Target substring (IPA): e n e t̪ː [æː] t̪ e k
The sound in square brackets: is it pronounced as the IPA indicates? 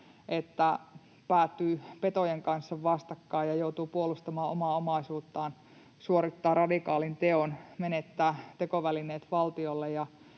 yes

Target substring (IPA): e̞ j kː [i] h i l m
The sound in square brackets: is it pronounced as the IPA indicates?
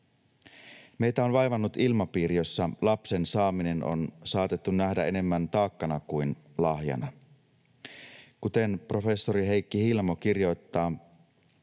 yes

